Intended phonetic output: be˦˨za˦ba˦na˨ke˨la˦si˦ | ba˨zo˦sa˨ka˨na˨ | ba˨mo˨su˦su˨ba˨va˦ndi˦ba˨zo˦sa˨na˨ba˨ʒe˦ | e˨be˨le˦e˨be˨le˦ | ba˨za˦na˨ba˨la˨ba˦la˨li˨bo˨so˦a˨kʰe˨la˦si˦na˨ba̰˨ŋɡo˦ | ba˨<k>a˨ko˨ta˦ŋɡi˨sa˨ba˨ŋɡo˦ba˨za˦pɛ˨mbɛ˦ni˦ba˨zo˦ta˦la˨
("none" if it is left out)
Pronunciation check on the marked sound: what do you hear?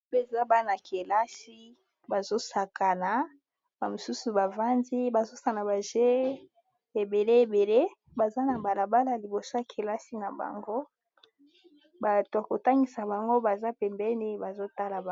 t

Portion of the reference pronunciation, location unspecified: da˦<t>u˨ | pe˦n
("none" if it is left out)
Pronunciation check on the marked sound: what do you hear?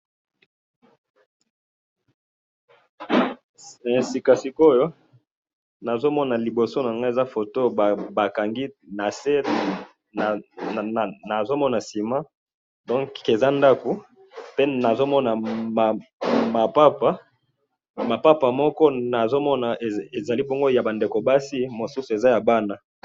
k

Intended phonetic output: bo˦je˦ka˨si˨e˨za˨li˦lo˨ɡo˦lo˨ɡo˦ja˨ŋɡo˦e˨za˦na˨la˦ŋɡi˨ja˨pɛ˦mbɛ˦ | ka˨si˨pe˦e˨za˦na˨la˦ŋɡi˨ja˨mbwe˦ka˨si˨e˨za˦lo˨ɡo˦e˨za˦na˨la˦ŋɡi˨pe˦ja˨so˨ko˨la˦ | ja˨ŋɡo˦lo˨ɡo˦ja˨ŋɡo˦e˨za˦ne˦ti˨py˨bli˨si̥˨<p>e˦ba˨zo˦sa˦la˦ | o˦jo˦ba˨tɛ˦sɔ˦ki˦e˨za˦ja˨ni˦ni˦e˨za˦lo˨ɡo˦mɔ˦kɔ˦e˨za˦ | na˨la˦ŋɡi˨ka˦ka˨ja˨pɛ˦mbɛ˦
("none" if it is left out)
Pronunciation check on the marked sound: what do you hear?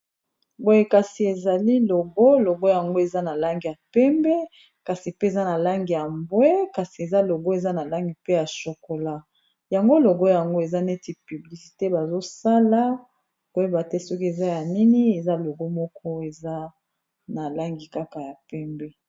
t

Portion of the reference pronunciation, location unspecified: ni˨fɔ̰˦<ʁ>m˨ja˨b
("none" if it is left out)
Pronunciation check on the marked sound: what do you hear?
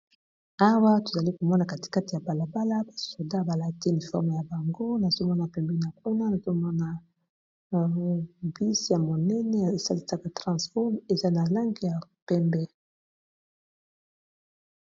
ʁ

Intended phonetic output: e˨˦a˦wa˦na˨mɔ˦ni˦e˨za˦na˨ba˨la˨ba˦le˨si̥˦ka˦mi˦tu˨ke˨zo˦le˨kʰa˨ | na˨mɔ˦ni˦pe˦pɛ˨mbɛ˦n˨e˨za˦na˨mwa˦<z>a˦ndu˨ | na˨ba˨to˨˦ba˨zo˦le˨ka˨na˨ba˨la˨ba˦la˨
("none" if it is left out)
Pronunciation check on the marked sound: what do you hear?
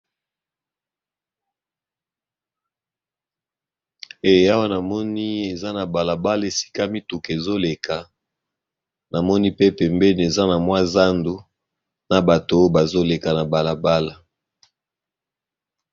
z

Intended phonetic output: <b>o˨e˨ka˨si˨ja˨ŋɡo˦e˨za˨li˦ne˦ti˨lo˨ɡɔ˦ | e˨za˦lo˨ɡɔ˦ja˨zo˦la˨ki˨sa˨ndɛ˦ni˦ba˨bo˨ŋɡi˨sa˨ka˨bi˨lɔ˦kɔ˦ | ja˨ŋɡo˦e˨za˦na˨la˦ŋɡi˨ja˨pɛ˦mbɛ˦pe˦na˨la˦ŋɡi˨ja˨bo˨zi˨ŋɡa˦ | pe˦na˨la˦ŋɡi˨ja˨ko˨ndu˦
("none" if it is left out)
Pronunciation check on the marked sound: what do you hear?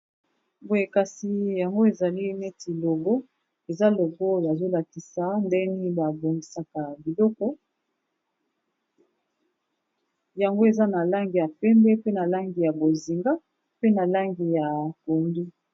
b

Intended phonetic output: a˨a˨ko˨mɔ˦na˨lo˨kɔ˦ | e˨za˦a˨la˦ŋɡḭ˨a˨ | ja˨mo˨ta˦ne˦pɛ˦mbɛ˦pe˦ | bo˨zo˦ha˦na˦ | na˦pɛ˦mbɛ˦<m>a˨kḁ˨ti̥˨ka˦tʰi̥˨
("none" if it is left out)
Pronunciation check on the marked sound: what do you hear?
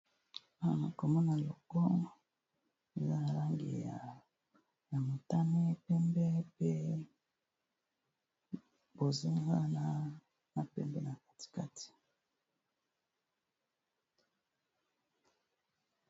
n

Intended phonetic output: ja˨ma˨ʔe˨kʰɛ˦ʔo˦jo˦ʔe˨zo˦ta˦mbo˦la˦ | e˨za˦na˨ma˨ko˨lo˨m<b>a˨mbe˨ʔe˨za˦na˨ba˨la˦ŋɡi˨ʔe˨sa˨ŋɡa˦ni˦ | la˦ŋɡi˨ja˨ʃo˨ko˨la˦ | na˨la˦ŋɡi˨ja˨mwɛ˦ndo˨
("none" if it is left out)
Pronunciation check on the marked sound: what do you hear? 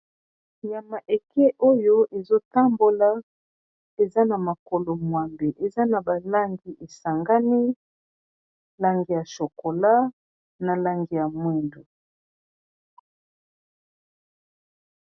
w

